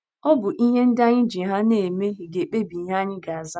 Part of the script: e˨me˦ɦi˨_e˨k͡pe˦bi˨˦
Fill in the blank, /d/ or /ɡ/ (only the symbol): ɡ